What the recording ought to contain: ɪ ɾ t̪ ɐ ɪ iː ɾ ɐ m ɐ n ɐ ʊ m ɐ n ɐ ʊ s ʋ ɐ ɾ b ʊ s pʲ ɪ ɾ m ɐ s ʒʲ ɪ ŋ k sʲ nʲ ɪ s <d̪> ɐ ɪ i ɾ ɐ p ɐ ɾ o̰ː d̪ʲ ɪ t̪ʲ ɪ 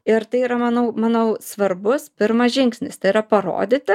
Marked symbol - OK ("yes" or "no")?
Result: no